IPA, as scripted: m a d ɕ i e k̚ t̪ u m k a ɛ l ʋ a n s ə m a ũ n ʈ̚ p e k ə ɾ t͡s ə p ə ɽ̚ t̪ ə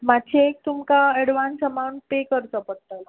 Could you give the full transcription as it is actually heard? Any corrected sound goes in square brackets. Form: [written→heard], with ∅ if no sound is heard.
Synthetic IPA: m a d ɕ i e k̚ t̪ u m k a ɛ [l→ɽ] ʋ a n s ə m a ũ [n→ɳ] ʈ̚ p e k ə ɾ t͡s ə p ə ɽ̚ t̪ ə